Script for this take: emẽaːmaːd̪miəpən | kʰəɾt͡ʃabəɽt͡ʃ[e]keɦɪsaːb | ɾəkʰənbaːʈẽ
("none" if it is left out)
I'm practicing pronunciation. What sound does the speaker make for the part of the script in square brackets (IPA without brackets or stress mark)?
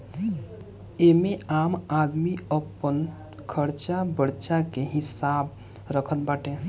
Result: a